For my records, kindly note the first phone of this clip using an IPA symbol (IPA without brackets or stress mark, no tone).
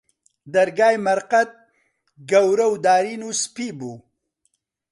d̪